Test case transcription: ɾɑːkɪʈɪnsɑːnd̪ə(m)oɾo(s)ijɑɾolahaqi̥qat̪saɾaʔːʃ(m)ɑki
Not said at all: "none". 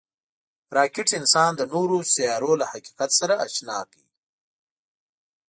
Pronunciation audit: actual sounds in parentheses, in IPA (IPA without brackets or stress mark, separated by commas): n, s, n